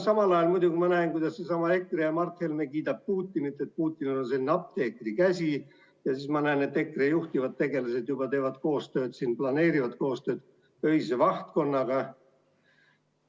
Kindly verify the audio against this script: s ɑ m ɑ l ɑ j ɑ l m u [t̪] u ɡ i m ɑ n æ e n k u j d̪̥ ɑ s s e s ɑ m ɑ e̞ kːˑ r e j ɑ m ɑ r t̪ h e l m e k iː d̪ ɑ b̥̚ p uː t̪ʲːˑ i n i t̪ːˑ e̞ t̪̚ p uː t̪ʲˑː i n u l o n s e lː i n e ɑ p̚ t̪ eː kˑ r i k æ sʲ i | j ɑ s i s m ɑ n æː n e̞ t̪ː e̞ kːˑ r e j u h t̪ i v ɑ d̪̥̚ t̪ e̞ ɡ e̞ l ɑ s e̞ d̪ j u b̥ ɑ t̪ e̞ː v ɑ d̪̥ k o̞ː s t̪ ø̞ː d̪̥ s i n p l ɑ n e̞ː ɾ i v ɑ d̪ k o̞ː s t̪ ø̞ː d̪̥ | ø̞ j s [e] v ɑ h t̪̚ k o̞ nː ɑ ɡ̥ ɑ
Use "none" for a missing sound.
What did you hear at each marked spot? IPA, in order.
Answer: d̪, e

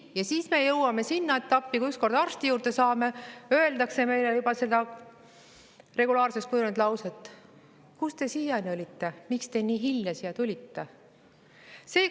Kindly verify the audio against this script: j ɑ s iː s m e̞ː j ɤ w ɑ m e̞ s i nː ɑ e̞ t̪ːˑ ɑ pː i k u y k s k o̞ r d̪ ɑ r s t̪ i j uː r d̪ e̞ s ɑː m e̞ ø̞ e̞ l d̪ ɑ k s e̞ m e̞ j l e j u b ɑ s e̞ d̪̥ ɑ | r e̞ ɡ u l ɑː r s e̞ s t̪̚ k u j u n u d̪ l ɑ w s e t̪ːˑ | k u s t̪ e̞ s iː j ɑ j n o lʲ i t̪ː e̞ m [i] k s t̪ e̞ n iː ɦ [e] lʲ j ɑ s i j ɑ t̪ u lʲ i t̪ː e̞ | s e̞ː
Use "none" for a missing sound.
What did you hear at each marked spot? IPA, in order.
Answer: i, i

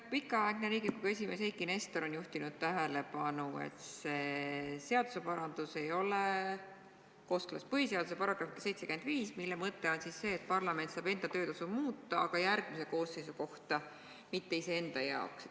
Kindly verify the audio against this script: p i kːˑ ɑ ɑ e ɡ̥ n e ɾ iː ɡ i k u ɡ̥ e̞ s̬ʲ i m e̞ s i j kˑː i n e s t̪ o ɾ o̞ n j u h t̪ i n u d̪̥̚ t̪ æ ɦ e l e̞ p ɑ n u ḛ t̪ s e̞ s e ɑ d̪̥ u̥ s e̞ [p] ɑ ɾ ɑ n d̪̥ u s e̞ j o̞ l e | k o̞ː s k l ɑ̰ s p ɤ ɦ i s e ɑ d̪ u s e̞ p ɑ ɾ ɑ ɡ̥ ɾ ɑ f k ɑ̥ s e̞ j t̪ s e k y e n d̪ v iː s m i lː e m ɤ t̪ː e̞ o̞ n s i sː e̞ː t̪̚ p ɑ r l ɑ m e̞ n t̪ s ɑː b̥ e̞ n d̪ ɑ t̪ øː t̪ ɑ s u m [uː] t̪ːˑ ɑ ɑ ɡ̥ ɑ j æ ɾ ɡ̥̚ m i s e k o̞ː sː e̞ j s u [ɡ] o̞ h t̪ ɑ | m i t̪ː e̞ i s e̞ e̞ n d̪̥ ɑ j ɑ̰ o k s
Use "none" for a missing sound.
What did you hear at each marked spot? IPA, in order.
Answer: p, uː, k

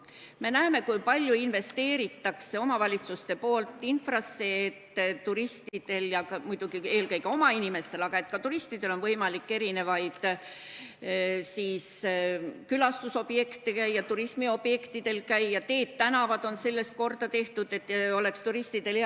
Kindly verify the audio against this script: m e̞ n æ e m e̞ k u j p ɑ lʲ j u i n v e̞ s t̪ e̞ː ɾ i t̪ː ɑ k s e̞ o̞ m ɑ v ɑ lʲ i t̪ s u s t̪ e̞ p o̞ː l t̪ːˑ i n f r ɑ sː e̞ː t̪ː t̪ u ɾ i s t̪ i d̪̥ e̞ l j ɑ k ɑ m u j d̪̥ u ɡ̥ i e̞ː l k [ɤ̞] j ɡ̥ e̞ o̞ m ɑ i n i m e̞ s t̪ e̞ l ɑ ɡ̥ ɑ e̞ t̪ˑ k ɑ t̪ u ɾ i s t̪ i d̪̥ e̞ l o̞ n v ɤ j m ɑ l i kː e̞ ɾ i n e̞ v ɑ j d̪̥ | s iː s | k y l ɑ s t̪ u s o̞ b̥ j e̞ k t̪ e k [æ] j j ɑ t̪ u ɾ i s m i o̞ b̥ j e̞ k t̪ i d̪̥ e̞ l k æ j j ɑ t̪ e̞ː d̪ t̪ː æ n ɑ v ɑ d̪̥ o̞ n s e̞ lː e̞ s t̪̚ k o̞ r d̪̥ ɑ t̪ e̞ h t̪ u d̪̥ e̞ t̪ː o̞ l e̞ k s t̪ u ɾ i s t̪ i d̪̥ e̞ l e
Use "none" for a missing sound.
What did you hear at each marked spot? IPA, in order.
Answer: ɤ̞, æ

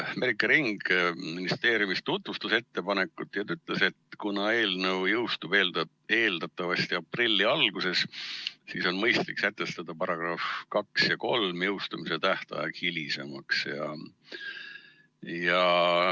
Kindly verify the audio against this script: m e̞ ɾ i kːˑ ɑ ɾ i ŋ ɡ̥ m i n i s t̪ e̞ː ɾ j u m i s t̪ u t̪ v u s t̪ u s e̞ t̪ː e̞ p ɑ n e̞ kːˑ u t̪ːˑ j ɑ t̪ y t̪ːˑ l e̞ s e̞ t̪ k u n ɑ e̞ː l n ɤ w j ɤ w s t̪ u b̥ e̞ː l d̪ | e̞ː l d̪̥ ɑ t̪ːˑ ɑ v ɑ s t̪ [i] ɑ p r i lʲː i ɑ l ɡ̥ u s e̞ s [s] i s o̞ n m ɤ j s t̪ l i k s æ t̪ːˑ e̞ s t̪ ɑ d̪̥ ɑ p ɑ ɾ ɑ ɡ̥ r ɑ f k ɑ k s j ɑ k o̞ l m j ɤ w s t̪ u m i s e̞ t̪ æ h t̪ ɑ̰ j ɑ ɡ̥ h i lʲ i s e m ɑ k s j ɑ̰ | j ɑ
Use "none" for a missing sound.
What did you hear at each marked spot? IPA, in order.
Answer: i, s

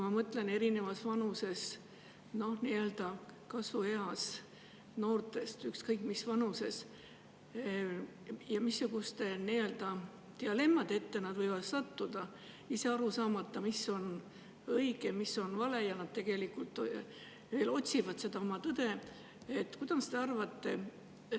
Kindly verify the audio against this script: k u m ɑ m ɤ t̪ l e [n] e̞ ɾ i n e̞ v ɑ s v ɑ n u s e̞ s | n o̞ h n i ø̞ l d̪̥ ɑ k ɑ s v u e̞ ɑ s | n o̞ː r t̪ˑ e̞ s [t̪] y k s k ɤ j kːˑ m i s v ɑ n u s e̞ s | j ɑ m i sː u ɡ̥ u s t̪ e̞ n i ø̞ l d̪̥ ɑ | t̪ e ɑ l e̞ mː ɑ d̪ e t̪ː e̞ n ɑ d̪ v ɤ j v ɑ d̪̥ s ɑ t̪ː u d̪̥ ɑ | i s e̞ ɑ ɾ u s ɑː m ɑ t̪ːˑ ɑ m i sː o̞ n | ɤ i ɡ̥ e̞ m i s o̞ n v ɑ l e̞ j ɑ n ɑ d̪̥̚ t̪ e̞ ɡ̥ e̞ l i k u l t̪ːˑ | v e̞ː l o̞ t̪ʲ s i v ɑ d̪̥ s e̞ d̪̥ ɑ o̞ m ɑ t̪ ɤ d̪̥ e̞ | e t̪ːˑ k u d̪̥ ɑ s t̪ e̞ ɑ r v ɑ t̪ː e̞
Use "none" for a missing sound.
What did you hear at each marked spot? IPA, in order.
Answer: n, t̪

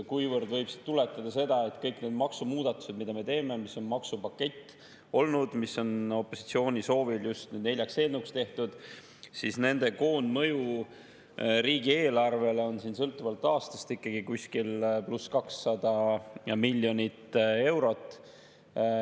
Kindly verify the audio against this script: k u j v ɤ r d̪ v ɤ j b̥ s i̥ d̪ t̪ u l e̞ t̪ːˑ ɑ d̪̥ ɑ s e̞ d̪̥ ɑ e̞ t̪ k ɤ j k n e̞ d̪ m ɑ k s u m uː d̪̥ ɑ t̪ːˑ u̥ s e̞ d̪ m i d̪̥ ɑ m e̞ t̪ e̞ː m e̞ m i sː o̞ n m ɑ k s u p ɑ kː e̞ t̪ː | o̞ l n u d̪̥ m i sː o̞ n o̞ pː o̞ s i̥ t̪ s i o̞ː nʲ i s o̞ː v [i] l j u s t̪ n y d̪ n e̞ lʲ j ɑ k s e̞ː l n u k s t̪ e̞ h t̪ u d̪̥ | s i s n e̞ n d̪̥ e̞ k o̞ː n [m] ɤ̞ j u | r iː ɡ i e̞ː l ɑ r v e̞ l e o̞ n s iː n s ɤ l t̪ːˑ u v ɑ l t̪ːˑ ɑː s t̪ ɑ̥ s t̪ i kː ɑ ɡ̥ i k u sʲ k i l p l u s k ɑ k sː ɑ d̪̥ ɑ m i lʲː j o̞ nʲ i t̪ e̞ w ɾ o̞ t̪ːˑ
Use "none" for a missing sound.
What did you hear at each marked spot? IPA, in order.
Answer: i, m

